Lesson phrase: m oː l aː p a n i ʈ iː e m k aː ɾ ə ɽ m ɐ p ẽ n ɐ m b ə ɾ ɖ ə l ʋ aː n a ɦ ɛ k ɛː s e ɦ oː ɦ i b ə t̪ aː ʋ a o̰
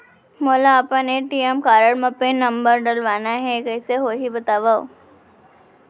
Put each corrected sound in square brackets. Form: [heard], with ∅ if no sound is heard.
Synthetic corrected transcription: m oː l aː p a n [e] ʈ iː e m k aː ɾ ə ɽ m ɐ p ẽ n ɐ m b ə ɾ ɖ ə l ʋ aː n a ɦ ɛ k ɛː s e ɦ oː ɦ i b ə t̪ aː ʋ a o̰